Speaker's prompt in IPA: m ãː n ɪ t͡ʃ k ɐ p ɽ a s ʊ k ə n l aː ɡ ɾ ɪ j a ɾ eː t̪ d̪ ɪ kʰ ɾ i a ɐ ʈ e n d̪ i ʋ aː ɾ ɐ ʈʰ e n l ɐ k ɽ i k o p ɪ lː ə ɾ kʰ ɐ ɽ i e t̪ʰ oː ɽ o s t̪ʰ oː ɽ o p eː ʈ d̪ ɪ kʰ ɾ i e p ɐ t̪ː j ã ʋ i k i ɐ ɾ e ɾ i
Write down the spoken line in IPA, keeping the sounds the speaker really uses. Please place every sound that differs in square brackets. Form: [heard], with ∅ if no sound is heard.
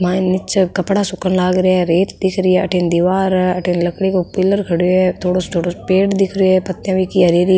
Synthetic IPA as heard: m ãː n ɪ t͡ʃ k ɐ p ɽ a s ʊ k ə n l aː ɡ ɾ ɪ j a ɾ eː t̪ d̪ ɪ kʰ ɾ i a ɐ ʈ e n d̪ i ʋ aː ɾ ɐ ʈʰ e n l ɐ k ɽ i k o p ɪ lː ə ɾ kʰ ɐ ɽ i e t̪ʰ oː ɽ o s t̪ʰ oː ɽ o p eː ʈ d̪ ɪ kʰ ɾ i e p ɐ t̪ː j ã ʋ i k i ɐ ɾ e ɾ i

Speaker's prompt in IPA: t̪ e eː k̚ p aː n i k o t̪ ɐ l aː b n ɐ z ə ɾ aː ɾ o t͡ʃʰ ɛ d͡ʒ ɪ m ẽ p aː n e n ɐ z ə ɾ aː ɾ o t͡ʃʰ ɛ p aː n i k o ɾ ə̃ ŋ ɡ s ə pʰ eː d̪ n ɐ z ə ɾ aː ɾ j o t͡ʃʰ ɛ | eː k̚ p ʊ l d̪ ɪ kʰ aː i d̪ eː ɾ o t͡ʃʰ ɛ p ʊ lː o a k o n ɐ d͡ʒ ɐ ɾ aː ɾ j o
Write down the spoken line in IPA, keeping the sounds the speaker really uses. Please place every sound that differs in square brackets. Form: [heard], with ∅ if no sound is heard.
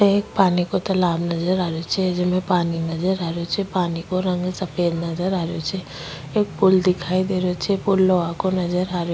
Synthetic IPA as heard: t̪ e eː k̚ p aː n i k o t̪ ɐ l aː b n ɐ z ə ɾ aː ɾ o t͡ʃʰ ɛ d͡ʒ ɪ m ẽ p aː n [i] n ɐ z ə ɾ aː ɾ o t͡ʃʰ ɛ p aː n i k o ɾ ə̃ ŋ ɡ s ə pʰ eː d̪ n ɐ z ə ɾ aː ɾ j o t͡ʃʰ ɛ | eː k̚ p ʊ l d̪ ɪ kʰ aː i d̪ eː ɾ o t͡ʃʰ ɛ p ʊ lː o a k o n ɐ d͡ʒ [ə] ɾ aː ɾ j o

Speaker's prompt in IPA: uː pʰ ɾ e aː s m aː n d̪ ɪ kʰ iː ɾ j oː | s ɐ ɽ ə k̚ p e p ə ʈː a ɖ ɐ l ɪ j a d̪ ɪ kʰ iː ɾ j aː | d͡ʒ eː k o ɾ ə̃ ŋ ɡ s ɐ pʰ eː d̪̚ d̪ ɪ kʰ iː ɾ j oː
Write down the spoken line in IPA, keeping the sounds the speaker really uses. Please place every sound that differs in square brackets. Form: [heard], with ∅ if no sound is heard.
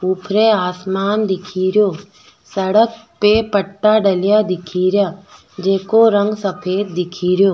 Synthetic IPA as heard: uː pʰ ɾ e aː s m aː n d̪ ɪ kʰ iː ɾ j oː | s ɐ ɽ ə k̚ p e p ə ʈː a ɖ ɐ l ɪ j a d̪ ɪ kʰ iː ɾ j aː | d͡ʒ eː k o ɾ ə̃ ŋ ɡ s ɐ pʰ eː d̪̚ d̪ ɪ kʰ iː ɾ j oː

